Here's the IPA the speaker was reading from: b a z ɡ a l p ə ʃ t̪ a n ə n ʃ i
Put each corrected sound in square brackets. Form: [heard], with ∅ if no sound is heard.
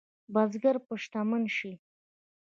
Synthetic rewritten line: b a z ɡ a [ɾ] p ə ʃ t̪ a [m] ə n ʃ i